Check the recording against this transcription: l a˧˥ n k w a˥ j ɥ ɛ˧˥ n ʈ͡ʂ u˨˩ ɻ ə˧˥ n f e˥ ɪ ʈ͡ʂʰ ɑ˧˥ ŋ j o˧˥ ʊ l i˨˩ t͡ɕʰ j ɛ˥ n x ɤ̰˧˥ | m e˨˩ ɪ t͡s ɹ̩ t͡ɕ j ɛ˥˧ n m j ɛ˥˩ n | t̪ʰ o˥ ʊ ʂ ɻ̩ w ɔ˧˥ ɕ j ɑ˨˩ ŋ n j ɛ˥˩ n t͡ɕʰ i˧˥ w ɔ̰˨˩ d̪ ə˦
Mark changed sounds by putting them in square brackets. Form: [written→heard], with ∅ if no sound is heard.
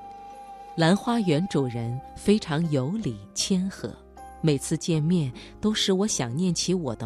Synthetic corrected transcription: l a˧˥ n [k→x] w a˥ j ɥ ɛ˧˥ n ʈ͡ʂ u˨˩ ɻ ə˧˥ n f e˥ ɪ ʈ͡ʂʰ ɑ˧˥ ŋ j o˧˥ ʊ l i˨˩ t͡ɕʰ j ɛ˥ n x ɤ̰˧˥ | m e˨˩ ɪ [t͡s→t͡sʰ] ɹ̩ t͡ɕ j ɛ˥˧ n m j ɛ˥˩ n | [t̪ʰ→t̪] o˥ ʊ ʂ ɻ̩ w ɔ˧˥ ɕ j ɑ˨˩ ŋ n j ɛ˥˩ n t͡ɕʰ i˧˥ w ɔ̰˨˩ d̪ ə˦